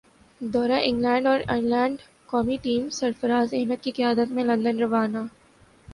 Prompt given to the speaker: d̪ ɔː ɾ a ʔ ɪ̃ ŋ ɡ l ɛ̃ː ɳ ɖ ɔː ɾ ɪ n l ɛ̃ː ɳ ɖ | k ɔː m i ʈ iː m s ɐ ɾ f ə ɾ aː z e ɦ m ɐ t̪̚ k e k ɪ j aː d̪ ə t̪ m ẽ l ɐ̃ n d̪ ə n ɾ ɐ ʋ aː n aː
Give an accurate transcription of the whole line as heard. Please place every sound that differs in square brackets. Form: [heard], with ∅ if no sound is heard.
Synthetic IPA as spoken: d̪ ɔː ɾ a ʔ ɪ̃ ŋ ɡ l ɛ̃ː ɳ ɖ ɔː ɾ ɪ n l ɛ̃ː ɳ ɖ | k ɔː m i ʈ iː m s ɐ ɾ f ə ɾ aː z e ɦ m [ə] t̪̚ k [i] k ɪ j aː d̪ ə t̪ m ẽ l ɐ̃ n d̪ ə n ɾ ɐ ʋ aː n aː